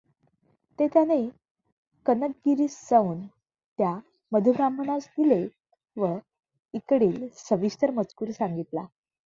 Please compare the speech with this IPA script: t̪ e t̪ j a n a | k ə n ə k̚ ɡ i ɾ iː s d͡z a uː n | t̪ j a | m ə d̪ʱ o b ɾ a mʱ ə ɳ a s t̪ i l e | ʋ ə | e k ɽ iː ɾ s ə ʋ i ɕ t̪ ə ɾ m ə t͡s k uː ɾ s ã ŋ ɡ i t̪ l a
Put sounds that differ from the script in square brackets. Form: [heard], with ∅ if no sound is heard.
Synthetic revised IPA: t̪ e t̪ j a n [e] | k ə n ə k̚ ɡ i ɾ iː s d͡z a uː n | t̪ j a | m ə d̪ʱ [u] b ɾ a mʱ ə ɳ a s [d̪] i l e | ʋ ə | [i] k ɽ iː [l] s ə ʋ i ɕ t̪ ə ɾ m ə t͡s k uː ɾ s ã ŋ ɡ i t̪ l a